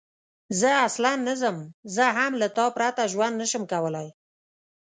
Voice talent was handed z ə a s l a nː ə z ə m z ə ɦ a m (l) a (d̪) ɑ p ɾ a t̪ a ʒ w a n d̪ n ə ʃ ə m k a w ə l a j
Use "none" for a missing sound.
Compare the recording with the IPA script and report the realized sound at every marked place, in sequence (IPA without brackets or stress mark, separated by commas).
l, t̪